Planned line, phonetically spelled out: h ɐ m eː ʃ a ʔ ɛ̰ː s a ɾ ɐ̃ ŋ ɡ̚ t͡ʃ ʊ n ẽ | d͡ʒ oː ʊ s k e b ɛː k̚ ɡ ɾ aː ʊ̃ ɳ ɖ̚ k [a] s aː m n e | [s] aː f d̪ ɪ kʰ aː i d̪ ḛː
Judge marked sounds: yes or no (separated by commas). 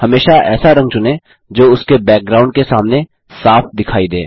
no, yes